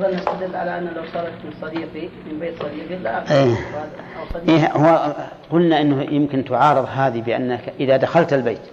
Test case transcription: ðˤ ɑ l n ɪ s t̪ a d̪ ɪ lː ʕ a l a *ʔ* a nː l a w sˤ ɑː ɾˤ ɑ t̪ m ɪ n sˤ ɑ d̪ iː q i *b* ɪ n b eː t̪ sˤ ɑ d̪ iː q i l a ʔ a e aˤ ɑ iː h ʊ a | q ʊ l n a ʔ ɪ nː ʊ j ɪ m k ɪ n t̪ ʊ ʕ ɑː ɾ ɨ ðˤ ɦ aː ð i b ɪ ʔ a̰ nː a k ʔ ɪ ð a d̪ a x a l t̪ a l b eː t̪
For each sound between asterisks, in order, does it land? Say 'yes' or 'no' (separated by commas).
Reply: yes, no